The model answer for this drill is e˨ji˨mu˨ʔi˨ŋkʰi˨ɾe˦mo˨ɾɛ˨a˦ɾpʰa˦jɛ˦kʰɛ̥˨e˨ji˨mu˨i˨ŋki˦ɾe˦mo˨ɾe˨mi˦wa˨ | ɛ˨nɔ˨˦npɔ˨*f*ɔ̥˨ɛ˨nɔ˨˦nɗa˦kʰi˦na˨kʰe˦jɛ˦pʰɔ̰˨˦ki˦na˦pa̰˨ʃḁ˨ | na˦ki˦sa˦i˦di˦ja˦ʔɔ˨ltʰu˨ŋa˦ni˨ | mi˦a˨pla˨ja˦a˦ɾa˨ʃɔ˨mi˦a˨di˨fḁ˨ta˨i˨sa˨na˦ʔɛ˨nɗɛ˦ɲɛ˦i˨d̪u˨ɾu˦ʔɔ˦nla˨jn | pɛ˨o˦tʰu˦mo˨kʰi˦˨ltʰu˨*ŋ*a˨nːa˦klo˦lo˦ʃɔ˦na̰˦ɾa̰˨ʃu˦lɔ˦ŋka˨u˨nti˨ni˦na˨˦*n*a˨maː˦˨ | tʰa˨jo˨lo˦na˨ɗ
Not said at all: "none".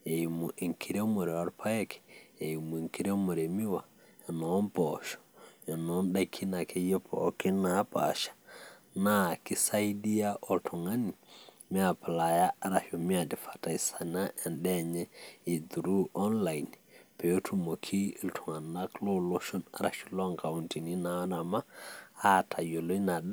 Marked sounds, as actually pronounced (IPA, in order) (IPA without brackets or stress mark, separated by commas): ʃ, ŋ, n